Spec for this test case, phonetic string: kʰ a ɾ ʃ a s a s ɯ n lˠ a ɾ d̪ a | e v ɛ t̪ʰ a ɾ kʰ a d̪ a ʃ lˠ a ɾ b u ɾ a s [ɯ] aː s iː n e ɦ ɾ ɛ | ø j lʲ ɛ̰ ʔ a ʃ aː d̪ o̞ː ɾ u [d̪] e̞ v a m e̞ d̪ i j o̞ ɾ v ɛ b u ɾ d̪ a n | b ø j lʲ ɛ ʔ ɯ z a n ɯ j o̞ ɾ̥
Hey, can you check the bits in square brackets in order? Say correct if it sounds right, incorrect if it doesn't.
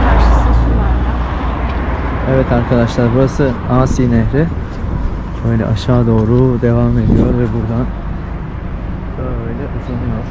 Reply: correct, correct

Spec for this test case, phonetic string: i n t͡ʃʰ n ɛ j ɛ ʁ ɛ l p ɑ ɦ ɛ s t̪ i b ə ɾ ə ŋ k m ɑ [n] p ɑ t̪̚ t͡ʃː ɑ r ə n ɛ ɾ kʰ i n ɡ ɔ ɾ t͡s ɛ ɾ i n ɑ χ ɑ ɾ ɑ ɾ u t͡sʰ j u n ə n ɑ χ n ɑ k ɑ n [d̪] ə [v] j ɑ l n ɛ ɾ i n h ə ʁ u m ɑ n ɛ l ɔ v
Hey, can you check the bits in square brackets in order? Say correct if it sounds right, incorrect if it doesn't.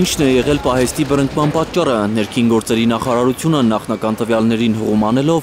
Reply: correct, incorrect, correct

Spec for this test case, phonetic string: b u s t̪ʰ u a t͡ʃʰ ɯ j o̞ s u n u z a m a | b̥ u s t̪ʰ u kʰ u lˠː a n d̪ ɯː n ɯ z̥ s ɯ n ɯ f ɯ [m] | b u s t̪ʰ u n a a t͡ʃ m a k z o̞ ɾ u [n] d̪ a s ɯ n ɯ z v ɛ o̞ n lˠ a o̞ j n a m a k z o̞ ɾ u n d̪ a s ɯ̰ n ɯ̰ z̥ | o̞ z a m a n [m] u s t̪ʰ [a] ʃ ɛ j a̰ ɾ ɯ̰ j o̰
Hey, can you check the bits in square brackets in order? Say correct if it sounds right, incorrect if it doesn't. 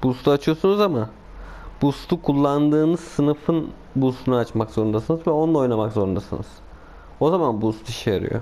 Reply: incorrect, correct, incorrect, incorrect

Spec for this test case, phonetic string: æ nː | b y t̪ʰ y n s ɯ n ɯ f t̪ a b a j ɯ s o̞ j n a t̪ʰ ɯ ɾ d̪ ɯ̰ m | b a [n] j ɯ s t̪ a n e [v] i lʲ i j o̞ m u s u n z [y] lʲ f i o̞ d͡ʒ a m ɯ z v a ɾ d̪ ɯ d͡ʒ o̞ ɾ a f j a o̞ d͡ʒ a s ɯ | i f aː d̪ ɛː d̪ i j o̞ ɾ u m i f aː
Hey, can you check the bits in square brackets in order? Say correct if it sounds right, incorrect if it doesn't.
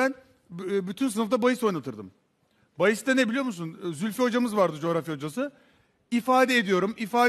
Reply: incorrect, incorrect, correct

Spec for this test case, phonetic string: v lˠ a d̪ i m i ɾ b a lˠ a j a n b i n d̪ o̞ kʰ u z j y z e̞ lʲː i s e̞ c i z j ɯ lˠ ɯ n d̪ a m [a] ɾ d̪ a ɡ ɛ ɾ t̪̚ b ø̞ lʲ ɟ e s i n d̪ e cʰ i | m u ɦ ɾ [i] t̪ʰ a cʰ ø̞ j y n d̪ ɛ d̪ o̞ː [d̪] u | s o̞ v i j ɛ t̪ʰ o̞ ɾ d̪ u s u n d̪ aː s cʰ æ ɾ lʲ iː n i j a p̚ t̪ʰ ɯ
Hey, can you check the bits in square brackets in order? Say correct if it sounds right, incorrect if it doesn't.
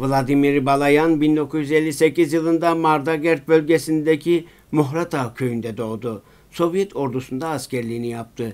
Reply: correct, incorrect, correct

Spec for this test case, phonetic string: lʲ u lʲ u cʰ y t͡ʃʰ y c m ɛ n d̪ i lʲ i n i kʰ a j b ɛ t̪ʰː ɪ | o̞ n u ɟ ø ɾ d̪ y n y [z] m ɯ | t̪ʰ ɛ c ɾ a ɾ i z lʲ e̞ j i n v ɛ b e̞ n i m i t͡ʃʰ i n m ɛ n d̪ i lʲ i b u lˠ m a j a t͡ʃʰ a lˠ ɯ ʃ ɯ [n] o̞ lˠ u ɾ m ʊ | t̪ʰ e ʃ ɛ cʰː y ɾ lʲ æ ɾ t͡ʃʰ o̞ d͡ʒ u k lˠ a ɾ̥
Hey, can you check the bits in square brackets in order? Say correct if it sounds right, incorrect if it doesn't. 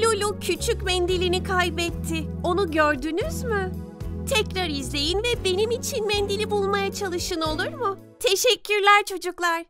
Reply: correct, correct

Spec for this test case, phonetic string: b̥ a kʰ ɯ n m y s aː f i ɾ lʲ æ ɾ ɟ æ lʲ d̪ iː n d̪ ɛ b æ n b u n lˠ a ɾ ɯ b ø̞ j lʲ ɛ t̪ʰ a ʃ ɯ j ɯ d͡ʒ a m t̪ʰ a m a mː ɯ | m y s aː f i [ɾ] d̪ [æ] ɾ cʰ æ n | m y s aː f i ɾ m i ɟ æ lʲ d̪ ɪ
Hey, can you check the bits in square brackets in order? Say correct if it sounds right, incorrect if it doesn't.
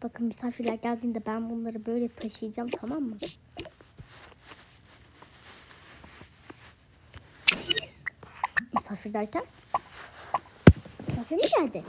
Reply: correct, correct

